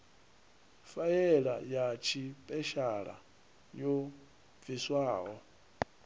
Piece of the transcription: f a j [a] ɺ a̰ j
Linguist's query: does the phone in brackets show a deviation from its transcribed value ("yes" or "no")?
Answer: yes